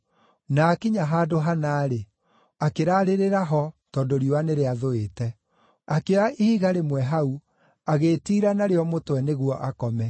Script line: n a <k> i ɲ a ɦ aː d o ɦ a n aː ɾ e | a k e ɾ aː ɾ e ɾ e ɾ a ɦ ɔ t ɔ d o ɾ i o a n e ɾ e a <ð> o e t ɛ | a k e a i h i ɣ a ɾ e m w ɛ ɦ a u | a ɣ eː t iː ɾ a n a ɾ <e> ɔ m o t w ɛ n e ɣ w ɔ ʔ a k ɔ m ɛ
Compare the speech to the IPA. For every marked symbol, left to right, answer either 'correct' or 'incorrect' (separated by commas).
correct, correct, correct